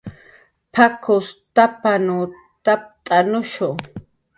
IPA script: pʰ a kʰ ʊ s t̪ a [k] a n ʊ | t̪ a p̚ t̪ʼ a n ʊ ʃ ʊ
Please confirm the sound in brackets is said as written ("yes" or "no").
no